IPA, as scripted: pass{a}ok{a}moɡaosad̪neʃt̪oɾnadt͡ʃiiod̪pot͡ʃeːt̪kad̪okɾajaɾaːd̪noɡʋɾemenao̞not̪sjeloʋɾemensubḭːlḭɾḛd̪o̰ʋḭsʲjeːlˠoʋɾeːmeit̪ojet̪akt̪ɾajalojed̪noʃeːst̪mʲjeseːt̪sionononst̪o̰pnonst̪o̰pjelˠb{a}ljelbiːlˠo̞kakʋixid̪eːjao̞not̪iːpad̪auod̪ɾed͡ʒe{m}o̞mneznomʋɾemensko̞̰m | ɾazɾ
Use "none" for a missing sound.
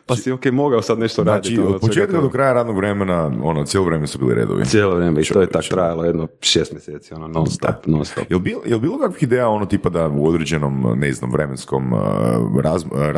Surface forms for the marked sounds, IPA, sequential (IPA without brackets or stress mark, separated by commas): i, e, i, n